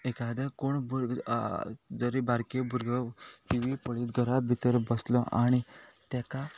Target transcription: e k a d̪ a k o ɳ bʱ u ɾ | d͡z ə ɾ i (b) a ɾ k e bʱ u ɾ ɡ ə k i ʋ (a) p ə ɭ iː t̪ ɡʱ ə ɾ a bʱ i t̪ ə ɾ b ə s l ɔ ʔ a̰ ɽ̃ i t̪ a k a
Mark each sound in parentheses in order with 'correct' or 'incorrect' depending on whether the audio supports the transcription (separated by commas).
correct, incorrect